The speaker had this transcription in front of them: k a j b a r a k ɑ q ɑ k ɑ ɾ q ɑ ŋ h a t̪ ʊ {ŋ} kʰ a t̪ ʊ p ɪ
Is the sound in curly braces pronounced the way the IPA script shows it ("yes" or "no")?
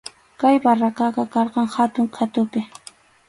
yes